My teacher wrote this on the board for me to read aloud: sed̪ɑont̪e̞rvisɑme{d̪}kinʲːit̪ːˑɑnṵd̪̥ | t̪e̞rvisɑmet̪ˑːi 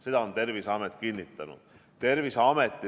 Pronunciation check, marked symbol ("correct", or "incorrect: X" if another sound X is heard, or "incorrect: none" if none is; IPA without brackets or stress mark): incorrect: t̪